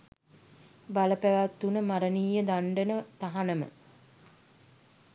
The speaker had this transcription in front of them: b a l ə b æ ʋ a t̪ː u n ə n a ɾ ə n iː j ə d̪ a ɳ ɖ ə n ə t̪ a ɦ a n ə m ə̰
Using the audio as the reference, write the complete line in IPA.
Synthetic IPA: b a l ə p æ ʋ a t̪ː u n ə m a ɾ ə n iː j ə d̪ a ɳ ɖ ə n ə t̪ a ɦ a n ə m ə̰